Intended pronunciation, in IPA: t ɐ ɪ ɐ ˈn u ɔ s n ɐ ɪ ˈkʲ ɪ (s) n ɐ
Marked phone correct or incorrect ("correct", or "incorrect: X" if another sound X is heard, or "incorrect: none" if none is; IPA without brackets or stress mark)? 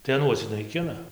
incorrect: none